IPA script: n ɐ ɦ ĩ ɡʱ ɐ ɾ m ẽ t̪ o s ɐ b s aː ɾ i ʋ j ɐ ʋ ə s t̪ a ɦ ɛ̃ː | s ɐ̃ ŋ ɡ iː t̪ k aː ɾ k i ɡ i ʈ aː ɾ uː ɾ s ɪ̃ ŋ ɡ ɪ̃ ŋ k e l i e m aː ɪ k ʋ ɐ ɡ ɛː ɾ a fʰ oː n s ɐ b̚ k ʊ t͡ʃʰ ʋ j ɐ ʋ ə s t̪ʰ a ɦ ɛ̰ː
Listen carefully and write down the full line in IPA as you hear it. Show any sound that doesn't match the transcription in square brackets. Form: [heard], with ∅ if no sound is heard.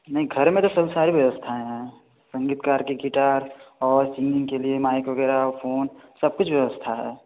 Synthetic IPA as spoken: n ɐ ɦ ĩ ɡʱ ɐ ɾ m ẽ t̪ o s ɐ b s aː ɾ i ʋ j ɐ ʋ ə s [t̪ʰ] a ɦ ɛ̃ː | s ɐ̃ ŋ ɡ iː t̪ k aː ɾ k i ɡ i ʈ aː ɾ [ɔː] ɾ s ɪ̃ ŋ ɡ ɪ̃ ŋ k e l i e m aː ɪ k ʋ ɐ ɡ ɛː ɾ a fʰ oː n s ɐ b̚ k ʊ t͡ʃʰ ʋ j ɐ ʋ ə s t̪ʰ a ɦ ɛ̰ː